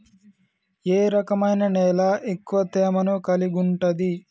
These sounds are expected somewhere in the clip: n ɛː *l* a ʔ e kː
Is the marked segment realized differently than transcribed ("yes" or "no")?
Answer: no